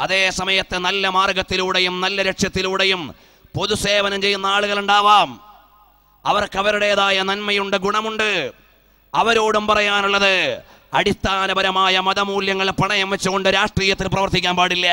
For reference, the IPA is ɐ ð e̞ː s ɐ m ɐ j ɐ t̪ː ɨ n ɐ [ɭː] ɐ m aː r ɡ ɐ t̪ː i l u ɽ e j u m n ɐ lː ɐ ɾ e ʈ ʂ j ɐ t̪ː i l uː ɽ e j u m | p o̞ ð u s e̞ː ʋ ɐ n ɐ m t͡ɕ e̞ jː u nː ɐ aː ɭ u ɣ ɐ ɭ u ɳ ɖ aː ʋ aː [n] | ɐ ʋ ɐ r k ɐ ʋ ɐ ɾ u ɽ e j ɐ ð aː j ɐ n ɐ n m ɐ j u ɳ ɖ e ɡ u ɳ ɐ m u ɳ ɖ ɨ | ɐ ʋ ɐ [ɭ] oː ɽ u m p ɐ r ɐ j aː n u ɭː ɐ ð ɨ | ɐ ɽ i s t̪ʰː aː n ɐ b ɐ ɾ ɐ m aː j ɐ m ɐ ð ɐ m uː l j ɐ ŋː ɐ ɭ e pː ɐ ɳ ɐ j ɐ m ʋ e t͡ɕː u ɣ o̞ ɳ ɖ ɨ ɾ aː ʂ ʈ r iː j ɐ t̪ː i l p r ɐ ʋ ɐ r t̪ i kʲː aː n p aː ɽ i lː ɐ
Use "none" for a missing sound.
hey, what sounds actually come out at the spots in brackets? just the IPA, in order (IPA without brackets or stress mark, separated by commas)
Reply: lː, m, ɾ